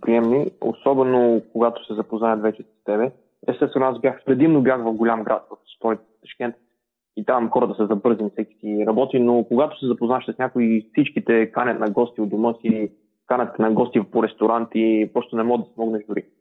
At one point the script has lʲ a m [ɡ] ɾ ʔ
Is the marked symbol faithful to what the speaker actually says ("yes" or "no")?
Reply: yes